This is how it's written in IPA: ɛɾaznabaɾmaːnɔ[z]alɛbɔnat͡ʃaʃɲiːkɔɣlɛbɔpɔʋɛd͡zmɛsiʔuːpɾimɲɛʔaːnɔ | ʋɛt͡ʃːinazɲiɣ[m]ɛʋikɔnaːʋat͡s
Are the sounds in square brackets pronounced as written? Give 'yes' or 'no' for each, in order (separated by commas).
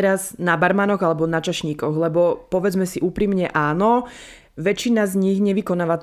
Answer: no, no